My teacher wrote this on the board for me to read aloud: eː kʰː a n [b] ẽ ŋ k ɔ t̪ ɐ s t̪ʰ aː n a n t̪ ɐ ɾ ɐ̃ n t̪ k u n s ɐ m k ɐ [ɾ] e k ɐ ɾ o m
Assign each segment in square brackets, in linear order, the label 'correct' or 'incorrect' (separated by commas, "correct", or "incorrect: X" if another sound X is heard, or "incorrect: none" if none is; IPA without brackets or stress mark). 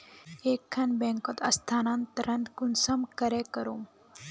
correct, correct